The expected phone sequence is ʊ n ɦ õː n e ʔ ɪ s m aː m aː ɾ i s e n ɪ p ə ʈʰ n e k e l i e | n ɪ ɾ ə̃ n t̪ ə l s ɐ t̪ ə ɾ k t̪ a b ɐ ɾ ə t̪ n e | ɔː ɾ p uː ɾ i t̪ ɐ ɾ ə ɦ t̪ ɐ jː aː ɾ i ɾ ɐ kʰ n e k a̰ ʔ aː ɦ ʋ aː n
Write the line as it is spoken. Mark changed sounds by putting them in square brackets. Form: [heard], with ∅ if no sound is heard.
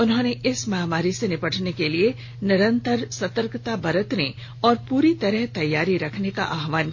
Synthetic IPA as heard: ʊ n ɦ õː n e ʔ ɪ s m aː m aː ɾ i s e n ɪ p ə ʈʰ n e k e l i e | n ɪ ɾ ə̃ n t̪ ə [ɾ] s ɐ t̪ ə ɾ k t̪ a b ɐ ɾ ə t̪ n e | ɔː ɾ p uː ɾ i t̪ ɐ ɾ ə ɦ t̪ ɐ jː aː ɾ i ɾ ɐ kʰ n e k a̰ ʔ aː ɦ ʋ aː n